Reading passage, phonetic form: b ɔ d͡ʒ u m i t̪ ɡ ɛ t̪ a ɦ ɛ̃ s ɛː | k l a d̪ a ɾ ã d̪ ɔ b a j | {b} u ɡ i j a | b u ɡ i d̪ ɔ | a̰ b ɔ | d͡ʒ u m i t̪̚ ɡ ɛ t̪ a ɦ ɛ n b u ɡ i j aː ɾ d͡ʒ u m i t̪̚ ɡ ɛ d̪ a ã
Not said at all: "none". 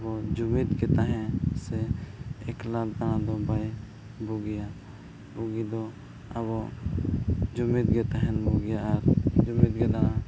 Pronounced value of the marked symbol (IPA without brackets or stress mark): b